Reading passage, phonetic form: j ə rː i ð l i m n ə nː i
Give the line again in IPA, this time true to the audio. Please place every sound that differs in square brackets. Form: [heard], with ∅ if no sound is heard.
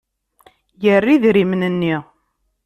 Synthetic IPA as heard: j ə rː i ð [ɾ] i m n ə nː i